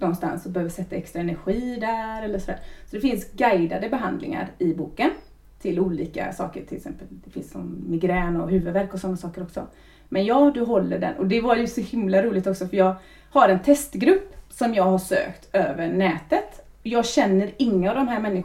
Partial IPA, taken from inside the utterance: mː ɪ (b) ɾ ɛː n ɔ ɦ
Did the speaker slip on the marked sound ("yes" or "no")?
yes